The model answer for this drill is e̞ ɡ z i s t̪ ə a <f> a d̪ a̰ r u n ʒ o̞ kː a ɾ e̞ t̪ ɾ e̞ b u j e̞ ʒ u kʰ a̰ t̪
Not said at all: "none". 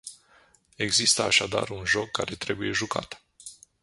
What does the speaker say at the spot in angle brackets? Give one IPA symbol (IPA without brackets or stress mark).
ʃ